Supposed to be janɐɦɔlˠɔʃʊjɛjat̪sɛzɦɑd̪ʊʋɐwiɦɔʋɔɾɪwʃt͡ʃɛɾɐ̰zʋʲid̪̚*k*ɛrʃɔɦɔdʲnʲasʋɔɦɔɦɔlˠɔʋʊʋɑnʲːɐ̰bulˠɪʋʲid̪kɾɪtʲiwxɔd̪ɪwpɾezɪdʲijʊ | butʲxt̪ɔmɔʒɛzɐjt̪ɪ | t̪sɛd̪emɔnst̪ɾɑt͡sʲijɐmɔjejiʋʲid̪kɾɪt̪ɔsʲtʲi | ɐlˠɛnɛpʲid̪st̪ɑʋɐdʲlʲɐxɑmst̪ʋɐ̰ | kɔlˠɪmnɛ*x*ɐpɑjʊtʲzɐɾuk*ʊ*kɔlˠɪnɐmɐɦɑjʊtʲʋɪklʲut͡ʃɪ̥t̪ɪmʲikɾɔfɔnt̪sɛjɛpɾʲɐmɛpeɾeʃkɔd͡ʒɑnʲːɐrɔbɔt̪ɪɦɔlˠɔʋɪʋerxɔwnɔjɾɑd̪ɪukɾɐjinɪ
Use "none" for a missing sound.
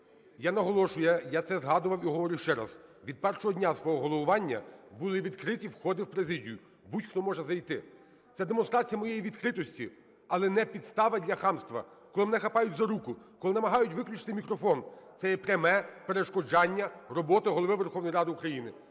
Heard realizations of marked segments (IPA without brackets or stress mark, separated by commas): p, x, ʊ